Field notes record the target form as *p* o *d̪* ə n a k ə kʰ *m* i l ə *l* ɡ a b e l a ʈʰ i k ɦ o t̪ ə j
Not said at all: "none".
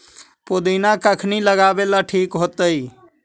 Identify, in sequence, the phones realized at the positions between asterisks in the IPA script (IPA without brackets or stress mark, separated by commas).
p, d̪, n, none